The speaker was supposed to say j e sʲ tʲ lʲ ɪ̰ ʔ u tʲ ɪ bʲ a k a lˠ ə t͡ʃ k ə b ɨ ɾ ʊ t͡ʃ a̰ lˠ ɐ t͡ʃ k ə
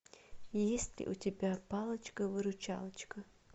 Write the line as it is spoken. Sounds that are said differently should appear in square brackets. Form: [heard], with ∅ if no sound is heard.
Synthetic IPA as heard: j e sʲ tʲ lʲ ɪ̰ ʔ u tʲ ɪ bʲ a [p] a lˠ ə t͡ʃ k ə [v] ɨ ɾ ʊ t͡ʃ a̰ lˠ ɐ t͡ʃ k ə